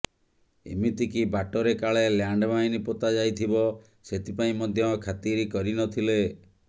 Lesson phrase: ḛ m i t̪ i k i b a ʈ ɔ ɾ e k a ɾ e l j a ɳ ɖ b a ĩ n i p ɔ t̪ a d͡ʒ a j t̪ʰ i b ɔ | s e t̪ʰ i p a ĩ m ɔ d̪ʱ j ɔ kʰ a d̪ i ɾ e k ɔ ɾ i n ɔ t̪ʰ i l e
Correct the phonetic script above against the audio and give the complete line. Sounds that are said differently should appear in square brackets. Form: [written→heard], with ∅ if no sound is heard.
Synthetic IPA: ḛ m i t̪ i k i b a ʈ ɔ ɾ e k a [ɾ→ɭ] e l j a ɳ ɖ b a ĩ n i p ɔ t̪ a d͡ʒ a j t̪ʰ i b ɔ | s e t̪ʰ i p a ĩ m ɔ d̪ʱ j ɔ kʰ a [d̪→t̪] i ɾ [e→i] k ɔ ɾ i n ɔ t̪ʰ i l e